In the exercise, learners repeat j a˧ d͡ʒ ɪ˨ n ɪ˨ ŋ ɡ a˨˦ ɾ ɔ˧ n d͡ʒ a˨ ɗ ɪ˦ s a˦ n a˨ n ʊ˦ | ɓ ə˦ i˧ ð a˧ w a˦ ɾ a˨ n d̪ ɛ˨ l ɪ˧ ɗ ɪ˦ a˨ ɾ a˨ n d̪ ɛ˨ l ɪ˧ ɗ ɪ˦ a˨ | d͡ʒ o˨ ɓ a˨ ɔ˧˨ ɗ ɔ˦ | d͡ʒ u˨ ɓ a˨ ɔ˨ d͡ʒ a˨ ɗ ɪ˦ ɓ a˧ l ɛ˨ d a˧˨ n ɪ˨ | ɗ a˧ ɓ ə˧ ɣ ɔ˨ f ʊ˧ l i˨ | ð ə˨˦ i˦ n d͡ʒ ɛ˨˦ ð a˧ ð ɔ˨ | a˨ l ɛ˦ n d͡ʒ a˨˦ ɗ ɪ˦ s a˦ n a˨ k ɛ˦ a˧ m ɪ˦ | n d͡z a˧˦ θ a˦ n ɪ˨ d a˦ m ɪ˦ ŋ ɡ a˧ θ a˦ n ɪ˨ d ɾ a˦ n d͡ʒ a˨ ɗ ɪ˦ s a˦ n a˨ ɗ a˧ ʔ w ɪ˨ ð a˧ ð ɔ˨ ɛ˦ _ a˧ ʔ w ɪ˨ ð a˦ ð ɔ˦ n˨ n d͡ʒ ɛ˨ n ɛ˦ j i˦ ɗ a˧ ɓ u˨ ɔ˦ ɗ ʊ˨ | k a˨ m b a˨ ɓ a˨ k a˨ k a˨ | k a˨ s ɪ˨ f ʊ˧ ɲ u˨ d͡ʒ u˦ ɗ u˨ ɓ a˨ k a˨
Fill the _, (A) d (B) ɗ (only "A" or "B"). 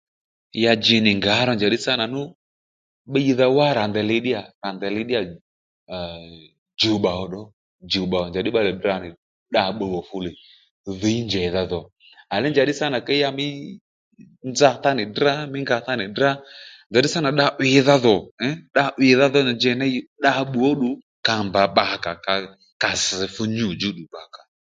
B